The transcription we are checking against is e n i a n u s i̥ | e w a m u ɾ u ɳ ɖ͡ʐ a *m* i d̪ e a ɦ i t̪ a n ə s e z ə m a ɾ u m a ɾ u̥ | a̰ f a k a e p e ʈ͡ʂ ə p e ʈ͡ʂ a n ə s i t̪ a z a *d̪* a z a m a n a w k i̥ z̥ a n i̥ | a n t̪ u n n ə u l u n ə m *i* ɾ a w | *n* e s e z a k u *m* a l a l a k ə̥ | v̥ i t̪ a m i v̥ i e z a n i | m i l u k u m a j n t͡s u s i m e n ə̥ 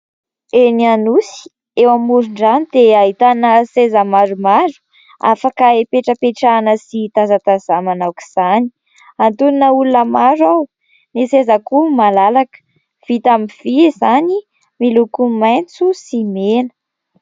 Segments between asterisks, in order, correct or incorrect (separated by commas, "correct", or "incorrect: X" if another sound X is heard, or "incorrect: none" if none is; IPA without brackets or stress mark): incorrect: n, incorrect: t̪, incorrect: a, correct, correct